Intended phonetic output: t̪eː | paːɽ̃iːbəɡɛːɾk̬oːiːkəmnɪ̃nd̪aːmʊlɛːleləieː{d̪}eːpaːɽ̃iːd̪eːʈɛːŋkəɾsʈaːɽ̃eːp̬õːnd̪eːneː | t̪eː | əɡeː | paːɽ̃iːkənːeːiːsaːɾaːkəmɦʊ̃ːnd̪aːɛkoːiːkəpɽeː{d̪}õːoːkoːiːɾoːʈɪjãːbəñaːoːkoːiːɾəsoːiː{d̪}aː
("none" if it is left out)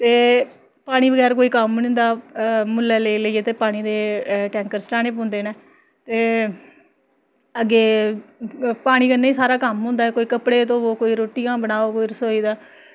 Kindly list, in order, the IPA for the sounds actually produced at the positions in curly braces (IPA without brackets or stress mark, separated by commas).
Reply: t̪, t̪, d̪